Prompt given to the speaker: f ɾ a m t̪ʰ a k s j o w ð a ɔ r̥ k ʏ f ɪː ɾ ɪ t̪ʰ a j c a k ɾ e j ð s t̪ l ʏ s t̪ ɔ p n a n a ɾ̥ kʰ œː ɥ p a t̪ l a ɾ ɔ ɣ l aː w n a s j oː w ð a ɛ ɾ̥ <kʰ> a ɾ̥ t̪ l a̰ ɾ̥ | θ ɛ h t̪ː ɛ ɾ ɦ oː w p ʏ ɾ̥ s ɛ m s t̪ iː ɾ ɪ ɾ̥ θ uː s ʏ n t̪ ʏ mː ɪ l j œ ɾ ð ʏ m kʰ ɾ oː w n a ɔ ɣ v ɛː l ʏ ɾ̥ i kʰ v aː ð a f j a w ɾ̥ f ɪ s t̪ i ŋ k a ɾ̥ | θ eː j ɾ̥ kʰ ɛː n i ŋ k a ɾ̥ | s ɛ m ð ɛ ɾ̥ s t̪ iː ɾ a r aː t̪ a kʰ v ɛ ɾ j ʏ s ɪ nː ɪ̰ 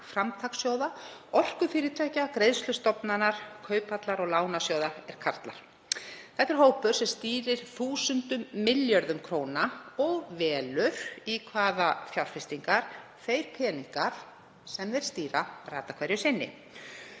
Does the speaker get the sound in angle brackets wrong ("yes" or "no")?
no